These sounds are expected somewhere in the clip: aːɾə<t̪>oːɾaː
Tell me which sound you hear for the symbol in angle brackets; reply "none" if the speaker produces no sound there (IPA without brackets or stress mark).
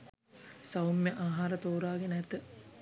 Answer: t̪